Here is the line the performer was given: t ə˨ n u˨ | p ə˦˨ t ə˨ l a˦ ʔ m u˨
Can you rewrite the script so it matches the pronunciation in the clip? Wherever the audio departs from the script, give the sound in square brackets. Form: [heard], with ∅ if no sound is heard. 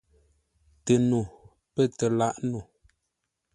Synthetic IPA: t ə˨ n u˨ | p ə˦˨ t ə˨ l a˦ ʔ [n] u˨